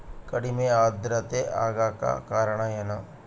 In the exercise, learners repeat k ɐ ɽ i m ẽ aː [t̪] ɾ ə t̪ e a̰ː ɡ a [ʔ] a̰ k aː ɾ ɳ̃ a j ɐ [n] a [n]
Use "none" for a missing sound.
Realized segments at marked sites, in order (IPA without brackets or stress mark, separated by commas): d̪, k, n, none